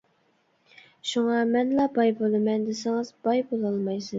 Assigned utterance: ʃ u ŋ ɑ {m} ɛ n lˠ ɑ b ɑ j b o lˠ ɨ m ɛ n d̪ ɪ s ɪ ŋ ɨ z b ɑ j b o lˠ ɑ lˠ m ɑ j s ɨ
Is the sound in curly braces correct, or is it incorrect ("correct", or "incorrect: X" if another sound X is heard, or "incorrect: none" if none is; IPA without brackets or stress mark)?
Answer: correct